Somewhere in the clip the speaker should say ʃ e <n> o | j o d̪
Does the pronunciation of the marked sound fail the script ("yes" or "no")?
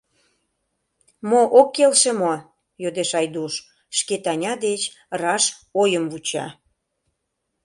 yes